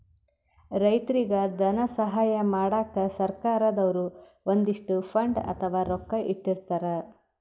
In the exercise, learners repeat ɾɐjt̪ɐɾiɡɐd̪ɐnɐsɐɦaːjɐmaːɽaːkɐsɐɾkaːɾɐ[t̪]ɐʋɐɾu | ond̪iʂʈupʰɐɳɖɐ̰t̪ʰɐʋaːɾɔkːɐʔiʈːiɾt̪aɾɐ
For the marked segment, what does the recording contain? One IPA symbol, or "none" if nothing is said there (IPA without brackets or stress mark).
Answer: d̪